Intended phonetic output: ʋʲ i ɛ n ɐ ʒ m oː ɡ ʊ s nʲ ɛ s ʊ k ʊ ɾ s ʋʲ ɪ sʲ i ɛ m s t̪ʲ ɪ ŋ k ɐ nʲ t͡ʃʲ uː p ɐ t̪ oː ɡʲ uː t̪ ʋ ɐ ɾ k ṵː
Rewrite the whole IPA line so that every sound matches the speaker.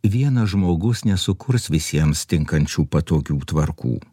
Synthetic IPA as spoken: ʋʲ i ɛ n ɐ ʒ m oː ɡ ʊ s nʲ ɛ s ʊ k ʊ ɾ s ʋʲ ɪ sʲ i ɛ m s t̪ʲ ɪ ŋ k ɐ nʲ t͡ʃʲ uː p ɐ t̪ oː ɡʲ uː t̪ ʋ ɐ ɾ k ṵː